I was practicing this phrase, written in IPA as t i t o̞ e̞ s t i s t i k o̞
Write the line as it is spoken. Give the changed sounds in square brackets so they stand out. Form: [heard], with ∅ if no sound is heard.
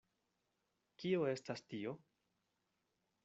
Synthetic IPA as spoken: [k] i [∅] o̞ e̞ s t [a] s t i [∅] o̞